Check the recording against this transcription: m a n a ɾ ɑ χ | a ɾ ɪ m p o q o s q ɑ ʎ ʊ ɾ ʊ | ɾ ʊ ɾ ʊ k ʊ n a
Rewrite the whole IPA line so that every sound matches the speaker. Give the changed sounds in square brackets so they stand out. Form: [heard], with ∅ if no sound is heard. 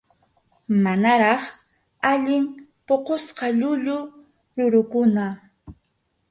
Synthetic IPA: m a n a ɾ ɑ χ | a [ʎ] ɪ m p o q o s q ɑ ʎ ʊ [ʎ] ʊ | ɾ ʊ ɾ ʊ k ʊ n a